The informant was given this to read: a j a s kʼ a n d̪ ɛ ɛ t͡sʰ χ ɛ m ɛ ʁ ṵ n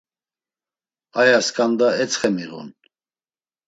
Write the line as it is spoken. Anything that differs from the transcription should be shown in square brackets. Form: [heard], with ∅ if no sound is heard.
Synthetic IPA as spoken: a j a s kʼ a n d̪ [a] ɛ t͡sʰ χ ɛ m [i] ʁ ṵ n